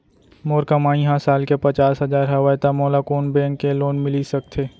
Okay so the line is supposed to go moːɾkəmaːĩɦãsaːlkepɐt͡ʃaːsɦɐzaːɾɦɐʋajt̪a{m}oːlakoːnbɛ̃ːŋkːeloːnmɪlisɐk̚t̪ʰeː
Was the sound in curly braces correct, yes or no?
yes